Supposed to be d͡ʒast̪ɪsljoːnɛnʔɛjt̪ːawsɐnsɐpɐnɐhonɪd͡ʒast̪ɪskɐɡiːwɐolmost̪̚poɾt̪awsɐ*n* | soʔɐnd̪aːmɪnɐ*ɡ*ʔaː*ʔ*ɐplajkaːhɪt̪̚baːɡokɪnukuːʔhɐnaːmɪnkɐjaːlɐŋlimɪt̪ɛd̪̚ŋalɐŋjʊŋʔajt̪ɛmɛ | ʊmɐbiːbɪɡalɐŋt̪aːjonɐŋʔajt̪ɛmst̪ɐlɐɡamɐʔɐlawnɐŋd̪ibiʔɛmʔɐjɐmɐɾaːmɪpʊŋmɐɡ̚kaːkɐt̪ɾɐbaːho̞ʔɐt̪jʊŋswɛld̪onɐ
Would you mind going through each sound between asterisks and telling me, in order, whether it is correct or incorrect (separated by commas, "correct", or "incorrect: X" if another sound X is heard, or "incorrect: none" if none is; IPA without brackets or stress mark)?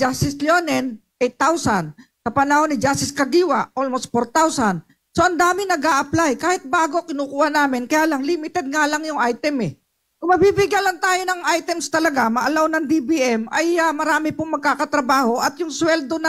correct, correct, correct